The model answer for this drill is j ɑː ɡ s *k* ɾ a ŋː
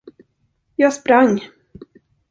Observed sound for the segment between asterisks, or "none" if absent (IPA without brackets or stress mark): p